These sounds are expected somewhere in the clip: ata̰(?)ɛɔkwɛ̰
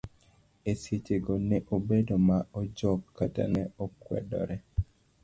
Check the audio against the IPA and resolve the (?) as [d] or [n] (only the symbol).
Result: n